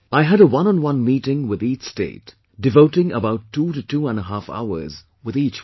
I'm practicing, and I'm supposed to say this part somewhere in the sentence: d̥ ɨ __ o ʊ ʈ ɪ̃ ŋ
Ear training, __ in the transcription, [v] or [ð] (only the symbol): v